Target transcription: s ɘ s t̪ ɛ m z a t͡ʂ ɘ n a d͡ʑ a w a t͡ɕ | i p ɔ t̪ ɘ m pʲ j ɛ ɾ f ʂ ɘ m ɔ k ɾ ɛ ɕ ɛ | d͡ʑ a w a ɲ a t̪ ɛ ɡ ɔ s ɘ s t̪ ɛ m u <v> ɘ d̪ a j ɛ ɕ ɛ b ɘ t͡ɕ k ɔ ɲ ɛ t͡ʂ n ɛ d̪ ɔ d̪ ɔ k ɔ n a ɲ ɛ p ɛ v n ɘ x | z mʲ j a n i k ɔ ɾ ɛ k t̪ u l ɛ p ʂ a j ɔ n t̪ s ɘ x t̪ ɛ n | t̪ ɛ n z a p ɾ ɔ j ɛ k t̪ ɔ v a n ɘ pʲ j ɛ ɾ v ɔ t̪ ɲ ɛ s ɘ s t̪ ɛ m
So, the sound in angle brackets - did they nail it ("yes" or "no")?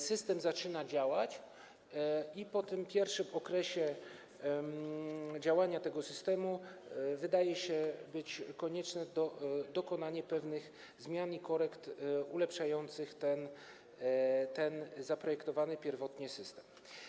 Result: yes